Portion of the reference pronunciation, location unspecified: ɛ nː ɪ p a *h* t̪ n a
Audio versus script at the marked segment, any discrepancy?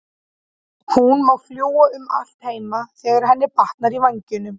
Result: no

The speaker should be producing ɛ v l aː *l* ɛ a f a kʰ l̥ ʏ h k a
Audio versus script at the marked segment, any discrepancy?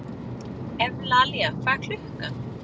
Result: no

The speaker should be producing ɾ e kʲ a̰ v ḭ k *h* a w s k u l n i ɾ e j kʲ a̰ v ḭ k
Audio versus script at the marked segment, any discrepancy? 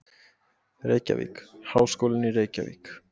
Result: no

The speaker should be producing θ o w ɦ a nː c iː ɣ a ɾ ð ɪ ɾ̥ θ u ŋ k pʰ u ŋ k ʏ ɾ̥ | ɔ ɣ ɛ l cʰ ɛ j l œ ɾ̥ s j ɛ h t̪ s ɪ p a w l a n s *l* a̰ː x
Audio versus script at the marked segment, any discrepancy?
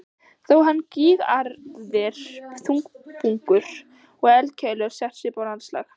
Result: no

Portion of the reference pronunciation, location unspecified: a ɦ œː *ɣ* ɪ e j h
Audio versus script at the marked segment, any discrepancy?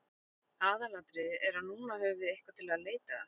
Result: yes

